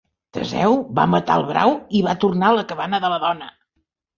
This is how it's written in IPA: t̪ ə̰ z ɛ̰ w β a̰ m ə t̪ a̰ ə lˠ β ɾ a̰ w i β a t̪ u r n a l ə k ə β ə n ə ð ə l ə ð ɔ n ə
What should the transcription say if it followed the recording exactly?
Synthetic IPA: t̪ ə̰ z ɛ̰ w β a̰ m ə t̪ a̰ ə lˠ β ɾ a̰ w i β a t̪ u r n a l ə k ə β a n ə ð ə l ə ð ɔ n ə